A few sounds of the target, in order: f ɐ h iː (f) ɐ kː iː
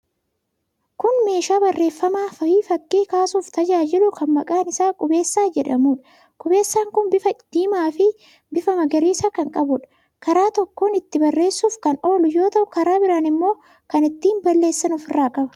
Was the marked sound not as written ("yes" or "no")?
no